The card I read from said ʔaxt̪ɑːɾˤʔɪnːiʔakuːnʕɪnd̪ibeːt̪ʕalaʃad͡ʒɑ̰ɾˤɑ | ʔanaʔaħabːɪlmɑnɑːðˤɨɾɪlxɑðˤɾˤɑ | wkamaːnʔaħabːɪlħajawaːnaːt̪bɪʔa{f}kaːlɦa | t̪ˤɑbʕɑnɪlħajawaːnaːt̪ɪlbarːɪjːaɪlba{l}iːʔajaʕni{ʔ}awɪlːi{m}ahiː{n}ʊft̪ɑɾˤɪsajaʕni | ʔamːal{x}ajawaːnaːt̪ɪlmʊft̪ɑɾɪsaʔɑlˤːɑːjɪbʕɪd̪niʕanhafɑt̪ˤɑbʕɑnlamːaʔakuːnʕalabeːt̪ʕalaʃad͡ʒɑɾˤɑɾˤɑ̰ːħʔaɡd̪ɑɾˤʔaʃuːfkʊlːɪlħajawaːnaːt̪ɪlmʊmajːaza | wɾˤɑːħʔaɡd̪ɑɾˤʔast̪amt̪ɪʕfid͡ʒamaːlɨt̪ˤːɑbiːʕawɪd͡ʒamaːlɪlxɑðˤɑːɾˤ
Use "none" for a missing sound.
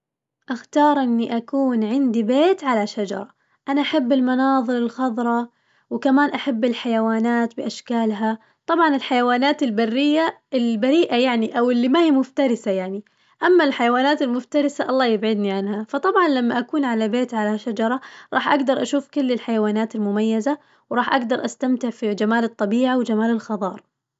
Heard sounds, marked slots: ʃ, ɾ, ʔ, m, m, ħ

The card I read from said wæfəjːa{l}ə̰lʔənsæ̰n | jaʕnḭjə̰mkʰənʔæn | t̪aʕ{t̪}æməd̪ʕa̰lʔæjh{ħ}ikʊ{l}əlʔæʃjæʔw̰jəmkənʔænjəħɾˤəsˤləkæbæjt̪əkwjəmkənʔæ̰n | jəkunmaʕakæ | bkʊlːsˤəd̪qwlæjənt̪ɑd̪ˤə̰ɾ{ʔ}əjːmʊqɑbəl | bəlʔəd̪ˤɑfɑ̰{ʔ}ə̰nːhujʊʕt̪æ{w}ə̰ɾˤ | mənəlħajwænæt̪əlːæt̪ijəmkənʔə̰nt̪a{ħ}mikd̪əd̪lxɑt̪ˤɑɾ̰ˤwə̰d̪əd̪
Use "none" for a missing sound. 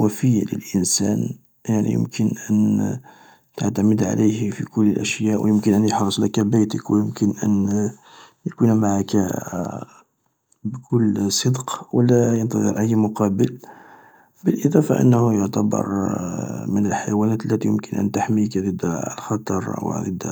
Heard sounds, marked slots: l, t̪, f, lː, ʔ, ʔ, b, ħ

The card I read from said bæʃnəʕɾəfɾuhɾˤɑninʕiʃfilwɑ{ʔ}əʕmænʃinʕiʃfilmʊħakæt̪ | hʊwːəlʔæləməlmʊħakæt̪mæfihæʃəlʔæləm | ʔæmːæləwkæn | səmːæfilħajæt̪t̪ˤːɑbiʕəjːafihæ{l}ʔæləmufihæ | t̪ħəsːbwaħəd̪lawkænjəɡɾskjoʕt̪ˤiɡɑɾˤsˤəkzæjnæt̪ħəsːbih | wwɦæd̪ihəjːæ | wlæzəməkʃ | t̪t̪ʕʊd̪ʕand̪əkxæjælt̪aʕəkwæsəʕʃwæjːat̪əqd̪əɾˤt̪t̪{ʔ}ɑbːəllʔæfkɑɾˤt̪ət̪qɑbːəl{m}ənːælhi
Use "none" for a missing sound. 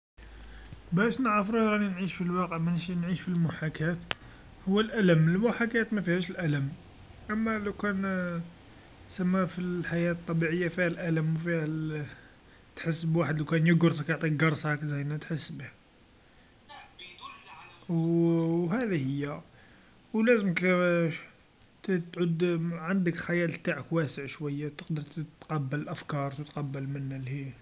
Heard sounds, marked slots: q, l, q, m

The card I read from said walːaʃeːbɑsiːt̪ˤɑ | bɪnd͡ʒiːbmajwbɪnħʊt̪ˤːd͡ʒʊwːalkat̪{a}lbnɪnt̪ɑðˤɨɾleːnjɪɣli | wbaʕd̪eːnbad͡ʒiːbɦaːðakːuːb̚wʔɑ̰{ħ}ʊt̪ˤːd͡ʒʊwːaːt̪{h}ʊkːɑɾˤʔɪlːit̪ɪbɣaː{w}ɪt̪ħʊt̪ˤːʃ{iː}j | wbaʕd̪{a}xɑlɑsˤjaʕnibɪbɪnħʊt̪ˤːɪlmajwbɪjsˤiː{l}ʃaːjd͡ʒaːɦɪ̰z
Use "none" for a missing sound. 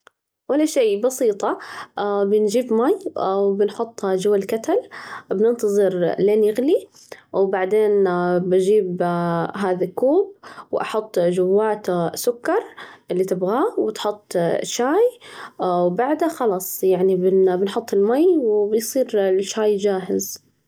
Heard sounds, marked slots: a, ħ, s, w, aː, a, ɾ

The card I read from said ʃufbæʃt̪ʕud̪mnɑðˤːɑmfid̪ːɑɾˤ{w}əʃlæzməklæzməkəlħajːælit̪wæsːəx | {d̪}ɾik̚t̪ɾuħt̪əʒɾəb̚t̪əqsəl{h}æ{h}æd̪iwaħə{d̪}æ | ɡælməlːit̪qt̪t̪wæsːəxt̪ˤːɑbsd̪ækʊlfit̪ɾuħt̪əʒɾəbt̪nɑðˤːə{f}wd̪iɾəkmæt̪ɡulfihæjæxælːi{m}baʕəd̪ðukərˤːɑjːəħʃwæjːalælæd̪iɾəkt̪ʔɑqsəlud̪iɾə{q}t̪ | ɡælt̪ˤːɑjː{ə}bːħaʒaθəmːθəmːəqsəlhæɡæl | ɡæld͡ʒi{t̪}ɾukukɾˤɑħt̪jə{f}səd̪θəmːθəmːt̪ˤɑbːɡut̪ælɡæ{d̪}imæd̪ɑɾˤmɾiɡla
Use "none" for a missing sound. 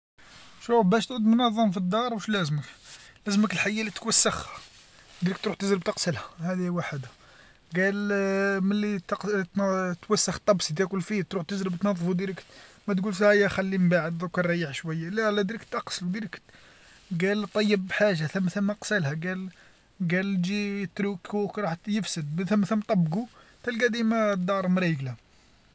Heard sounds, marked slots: w, d̪, h, h, d̪, f, m, k, ə, t̪, f, d̪

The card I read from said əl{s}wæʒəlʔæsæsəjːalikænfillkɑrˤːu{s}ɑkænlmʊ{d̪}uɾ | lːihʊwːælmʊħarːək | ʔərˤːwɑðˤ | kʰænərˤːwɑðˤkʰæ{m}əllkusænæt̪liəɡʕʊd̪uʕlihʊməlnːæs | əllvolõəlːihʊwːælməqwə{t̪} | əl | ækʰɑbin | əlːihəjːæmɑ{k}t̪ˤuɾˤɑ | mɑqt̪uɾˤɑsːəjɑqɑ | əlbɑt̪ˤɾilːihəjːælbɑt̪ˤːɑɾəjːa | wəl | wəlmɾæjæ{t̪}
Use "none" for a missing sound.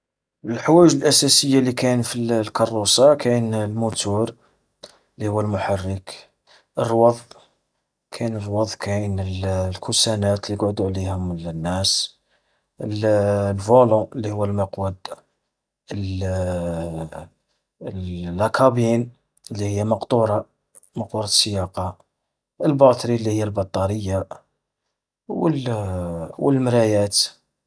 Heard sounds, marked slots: ħ, s, t̪, n, d̪, q, t̪

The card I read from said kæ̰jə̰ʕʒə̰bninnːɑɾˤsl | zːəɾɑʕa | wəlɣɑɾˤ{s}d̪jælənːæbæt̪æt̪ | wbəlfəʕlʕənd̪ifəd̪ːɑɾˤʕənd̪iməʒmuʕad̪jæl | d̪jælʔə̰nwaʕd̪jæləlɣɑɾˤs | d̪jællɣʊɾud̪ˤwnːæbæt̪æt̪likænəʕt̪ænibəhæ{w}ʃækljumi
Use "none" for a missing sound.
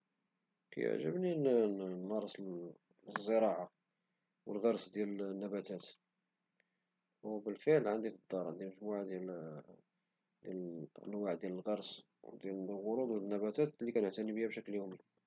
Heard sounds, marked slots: s, b

